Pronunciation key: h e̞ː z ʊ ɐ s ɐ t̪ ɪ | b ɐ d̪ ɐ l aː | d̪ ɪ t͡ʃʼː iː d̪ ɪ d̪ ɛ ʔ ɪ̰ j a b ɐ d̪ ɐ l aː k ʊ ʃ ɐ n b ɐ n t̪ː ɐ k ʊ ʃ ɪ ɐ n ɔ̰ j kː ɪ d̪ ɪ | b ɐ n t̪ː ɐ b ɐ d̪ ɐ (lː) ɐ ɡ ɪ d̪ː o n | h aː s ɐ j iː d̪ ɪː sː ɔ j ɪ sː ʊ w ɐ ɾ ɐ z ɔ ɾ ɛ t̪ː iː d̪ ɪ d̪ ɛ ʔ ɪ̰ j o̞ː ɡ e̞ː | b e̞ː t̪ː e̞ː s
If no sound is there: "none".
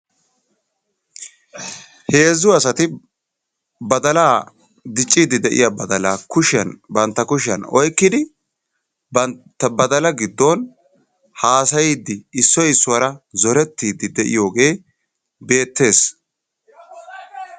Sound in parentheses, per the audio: l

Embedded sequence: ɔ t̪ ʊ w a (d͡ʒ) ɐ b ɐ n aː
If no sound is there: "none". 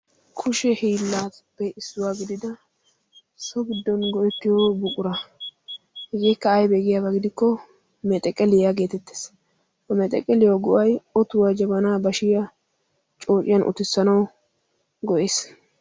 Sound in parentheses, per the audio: d͡ʒ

